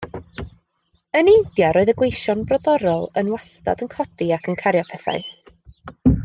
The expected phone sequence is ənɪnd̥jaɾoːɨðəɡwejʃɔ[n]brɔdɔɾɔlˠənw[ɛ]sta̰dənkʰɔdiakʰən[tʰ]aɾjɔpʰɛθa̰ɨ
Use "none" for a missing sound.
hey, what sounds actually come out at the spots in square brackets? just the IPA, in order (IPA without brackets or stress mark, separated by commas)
n, a, kʰ